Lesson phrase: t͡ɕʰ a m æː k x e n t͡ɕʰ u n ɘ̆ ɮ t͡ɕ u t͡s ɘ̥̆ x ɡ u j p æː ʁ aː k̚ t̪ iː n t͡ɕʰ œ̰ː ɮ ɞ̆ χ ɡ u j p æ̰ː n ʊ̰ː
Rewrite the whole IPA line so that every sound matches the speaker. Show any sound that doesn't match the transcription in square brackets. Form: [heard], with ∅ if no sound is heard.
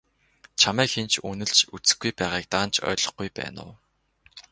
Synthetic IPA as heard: t͡ɕʰ a m æː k x e n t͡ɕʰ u n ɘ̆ ɮ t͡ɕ u t͡s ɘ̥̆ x ɡ u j p æː ʁ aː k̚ t̪ [aː] n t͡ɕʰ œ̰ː ɮ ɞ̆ χ ɡ u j p æ̰ː n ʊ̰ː